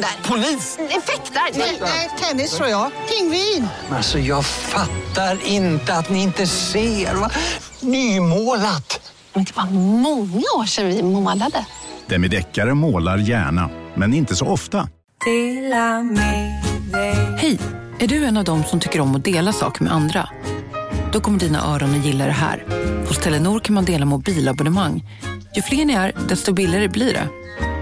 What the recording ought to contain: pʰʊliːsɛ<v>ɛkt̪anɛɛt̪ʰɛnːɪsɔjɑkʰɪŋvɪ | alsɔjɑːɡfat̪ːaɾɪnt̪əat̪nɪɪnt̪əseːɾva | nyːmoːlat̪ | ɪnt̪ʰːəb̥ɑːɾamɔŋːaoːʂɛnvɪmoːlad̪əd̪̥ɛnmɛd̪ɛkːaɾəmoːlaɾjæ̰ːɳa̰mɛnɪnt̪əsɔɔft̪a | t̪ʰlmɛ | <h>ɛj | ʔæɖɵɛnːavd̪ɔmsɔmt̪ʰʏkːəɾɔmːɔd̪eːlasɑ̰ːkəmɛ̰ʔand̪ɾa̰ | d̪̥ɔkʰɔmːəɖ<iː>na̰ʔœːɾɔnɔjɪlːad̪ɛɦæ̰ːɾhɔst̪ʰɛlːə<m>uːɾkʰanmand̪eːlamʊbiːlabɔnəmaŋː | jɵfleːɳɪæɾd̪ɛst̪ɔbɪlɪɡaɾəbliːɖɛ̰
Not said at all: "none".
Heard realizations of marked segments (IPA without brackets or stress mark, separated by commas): f, h, iː, n